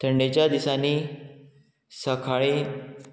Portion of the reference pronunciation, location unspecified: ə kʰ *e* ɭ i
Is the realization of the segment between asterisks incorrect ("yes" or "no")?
yes